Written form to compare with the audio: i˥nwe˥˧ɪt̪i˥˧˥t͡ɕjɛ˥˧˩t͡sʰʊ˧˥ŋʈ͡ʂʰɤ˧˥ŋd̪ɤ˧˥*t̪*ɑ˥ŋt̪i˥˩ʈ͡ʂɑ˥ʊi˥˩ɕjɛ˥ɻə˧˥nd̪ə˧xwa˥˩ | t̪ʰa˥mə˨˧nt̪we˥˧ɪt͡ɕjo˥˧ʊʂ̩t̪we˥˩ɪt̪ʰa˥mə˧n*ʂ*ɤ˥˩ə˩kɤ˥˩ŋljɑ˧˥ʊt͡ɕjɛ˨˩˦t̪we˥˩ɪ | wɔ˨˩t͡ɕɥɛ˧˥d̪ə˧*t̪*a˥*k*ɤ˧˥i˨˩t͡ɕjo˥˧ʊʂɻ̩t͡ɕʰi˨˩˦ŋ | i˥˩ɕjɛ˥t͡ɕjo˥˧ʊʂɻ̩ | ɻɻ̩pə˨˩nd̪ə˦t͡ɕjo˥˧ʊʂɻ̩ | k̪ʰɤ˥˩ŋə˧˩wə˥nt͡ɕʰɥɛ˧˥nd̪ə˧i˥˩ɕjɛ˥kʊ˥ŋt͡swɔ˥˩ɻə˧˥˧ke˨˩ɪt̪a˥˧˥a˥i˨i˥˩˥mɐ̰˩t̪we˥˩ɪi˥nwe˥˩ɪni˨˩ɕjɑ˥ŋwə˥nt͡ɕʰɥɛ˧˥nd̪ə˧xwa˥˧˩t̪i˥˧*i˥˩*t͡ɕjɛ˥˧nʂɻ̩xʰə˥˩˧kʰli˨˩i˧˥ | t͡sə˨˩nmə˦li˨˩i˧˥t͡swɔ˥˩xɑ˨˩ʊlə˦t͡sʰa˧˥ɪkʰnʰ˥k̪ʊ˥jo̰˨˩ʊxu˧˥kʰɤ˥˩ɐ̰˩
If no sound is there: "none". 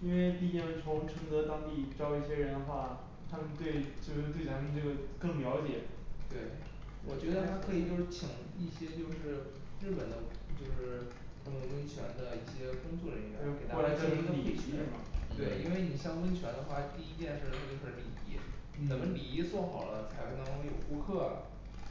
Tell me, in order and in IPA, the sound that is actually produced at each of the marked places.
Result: t̪, ʈ͡ʂ, t̪ʰ, kʰ, i˥

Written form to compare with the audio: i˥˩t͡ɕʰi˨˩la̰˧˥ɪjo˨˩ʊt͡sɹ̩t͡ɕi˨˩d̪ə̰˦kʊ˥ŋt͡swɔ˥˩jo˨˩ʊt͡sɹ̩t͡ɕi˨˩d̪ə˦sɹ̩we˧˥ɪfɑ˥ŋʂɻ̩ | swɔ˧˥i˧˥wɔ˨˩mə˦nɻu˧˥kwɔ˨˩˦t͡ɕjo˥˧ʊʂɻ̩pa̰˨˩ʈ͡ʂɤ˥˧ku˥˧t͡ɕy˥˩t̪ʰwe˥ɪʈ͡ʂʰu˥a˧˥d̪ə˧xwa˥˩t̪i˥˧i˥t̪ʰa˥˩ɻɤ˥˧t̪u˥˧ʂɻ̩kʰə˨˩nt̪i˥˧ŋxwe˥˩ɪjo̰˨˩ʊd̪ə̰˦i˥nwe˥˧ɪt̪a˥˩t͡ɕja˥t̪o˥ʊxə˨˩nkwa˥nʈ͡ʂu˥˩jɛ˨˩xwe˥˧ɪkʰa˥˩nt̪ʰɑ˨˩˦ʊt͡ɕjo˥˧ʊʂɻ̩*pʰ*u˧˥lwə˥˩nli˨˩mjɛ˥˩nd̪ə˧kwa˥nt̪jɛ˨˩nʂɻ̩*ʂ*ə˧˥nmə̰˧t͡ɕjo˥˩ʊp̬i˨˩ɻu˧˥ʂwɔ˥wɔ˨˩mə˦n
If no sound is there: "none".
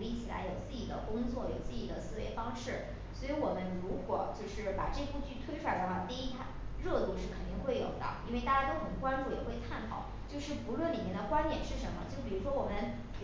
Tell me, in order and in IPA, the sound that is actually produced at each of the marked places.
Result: p, ʂ

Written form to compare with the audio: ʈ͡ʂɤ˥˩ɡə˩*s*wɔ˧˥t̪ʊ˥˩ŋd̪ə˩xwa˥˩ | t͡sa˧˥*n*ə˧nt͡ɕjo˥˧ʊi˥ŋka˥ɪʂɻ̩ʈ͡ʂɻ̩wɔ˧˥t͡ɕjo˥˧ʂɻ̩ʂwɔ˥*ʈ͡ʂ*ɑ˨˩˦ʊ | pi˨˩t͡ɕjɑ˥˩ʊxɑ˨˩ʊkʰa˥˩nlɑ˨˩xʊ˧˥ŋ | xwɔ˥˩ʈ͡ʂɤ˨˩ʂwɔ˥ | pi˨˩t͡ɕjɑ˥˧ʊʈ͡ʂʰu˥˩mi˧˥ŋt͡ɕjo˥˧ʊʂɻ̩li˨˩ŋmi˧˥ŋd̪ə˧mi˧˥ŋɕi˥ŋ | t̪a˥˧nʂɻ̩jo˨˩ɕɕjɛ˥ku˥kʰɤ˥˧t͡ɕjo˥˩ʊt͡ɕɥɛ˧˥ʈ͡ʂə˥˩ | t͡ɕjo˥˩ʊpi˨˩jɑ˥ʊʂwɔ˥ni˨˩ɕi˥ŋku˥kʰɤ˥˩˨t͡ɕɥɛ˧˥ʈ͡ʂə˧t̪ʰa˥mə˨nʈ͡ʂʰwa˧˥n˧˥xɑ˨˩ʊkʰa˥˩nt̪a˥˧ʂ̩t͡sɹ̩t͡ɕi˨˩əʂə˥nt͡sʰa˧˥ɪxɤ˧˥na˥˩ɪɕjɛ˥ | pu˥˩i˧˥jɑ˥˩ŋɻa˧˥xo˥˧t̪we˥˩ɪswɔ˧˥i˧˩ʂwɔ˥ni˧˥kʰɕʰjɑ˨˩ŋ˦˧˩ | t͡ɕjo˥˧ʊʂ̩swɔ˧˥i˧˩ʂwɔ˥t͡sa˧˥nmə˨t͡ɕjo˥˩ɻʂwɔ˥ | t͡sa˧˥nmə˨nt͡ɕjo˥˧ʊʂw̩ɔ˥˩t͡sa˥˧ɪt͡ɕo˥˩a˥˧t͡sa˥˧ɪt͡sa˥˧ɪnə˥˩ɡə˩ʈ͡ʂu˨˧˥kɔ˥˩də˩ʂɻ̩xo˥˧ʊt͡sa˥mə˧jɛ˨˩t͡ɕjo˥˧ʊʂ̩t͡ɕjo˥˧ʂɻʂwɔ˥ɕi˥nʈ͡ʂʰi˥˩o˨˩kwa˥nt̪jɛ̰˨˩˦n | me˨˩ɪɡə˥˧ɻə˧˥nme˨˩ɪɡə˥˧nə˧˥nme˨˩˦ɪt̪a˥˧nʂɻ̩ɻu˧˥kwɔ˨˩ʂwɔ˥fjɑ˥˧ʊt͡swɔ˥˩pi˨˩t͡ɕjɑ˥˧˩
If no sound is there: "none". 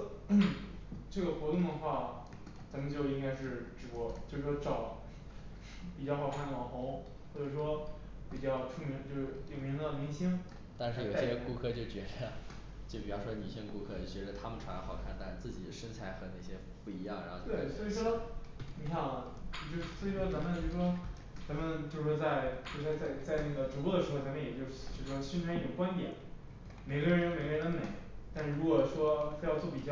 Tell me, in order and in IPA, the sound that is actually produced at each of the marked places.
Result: x, m, ʈ͡ʂ

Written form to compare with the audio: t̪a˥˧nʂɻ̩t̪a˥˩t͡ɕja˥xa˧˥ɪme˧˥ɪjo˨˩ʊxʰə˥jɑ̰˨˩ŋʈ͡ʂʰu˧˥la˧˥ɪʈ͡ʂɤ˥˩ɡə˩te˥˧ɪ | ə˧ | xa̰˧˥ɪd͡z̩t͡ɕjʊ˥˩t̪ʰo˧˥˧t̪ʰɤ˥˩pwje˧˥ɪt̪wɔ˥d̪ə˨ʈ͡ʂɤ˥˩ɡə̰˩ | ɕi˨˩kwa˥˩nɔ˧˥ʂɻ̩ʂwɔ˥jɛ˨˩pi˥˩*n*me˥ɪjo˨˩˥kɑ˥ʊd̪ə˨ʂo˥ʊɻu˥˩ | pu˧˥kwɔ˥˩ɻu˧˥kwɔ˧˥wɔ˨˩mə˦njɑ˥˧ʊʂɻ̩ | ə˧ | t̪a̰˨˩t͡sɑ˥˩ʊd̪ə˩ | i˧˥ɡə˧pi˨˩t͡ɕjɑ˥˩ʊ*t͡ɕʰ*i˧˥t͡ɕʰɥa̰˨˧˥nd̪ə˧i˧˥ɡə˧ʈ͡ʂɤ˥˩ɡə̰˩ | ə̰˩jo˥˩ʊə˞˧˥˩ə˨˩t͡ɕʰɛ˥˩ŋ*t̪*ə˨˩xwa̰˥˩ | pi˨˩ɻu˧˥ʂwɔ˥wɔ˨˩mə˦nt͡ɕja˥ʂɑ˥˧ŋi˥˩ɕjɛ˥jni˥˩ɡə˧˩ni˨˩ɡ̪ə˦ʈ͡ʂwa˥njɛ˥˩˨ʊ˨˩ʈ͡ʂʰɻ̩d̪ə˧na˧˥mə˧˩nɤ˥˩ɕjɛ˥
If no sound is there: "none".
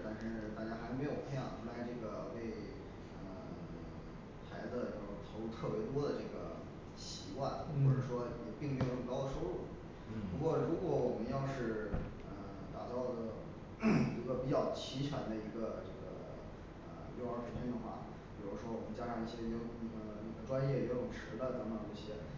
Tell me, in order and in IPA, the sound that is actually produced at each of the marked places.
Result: ŋ, t͡ɕʰ, d̪

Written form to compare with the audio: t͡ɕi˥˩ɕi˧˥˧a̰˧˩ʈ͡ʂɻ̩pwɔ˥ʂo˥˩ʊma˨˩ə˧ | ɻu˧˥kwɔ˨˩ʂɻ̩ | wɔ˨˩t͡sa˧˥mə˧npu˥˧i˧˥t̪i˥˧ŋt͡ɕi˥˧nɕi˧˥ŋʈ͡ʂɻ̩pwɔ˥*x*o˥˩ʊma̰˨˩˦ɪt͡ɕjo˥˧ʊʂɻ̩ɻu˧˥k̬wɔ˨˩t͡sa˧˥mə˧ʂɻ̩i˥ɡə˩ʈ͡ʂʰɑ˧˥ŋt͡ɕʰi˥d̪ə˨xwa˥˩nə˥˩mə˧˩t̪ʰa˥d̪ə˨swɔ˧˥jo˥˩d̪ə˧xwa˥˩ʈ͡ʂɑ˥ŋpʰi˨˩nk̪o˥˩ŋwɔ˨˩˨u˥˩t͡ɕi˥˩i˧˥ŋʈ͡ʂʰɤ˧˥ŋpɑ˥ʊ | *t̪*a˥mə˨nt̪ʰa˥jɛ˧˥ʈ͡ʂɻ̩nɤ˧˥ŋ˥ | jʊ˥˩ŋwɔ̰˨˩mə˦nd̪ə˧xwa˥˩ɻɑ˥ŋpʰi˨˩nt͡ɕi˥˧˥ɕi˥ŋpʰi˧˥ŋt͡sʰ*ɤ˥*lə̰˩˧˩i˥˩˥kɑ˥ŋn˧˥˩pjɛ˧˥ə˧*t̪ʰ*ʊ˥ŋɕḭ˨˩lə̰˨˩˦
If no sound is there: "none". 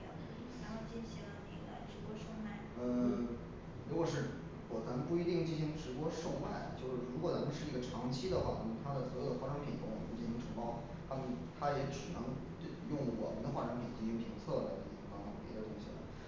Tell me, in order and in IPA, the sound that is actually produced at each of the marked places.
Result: ʂ, t̪ʰ, ɤ˥˩, t̪

